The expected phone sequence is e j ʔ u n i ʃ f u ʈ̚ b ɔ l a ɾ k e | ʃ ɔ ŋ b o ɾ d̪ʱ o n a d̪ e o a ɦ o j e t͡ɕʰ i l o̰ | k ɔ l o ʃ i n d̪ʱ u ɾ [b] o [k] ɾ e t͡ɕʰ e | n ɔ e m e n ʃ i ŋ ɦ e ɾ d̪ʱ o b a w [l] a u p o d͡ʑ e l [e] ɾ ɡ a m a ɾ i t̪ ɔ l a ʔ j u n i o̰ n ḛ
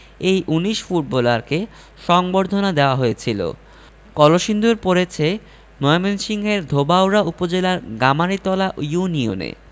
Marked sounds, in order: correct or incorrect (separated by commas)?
incorrect, incorrect, incorrect, incorrect